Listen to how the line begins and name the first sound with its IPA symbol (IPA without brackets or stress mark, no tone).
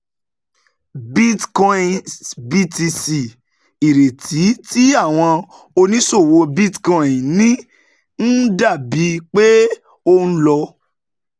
b